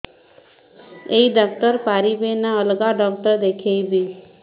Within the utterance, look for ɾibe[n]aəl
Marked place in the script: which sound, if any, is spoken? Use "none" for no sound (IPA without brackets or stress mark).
n